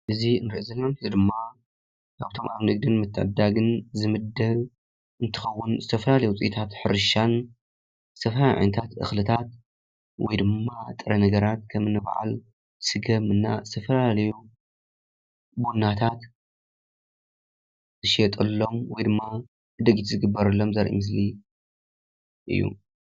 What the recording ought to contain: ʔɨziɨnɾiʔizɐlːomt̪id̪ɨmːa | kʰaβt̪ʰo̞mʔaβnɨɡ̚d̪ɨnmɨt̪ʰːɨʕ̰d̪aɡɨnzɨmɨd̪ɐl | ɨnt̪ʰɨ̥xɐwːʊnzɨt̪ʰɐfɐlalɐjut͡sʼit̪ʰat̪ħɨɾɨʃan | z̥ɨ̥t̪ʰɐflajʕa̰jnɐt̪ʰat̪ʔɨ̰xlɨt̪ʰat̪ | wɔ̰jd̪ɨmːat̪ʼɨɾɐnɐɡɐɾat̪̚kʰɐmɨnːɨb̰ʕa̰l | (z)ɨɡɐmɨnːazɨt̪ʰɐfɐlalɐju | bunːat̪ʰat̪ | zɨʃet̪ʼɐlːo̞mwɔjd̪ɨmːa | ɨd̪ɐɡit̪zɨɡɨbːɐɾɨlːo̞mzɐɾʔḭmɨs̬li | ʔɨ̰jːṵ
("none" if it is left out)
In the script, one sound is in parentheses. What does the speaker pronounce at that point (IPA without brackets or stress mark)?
s